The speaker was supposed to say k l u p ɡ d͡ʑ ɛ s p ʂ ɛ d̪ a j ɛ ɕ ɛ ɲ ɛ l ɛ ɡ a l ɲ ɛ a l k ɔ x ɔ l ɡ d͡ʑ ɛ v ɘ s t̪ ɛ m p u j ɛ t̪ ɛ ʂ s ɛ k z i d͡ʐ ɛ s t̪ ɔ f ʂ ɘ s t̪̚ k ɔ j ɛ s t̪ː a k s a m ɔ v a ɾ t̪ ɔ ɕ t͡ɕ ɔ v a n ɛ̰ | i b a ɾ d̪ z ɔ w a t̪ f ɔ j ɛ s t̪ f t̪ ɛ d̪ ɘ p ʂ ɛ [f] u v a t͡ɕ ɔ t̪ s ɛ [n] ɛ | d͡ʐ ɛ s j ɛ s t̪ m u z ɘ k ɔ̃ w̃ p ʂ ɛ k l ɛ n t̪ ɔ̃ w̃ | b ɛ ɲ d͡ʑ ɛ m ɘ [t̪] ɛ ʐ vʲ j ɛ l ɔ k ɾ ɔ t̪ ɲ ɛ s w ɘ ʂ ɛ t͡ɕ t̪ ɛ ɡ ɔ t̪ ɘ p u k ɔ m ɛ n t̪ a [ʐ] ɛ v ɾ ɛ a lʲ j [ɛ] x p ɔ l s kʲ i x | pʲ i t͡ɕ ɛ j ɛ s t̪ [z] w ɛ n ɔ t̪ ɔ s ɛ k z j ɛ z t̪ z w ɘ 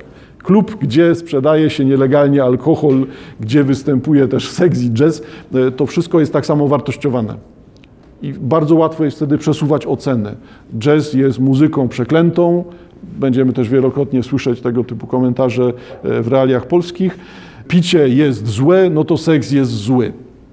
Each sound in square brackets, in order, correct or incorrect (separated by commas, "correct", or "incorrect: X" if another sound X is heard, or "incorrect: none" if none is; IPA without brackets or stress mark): incorrect: s, correct, correct, correct, incorrect: a, correct